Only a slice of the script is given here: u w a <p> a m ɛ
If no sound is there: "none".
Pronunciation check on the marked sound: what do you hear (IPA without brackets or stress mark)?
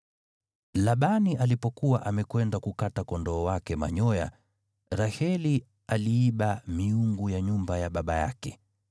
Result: ʔ